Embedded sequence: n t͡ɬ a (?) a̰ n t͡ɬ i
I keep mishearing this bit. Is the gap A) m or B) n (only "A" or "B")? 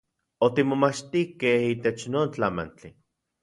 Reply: A